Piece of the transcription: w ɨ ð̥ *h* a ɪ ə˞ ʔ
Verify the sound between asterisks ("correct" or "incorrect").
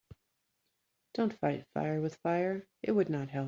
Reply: incorrect